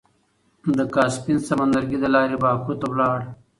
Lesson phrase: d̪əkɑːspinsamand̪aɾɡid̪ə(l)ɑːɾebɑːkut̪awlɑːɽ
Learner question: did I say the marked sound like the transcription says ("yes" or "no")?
yes